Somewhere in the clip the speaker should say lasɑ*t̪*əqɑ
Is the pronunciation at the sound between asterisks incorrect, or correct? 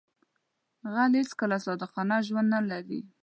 incorrect